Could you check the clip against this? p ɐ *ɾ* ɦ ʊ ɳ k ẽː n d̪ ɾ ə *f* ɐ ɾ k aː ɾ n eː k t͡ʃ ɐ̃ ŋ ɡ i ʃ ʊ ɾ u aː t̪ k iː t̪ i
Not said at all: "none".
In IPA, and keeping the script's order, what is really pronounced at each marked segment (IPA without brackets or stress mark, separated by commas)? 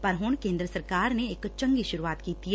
ɾ, s